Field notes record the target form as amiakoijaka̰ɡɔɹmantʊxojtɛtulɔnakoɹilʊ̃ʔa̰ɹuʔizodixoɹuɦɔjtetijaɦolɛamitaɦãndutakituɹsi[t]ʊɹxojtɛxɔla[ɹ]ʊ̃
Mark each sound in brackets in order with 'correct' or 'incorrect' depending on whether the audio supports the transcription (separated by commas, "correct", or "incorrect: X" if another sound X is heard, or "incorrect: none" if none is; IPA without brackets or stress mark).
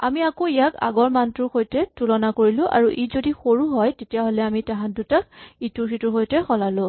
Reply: correct, incorrect: l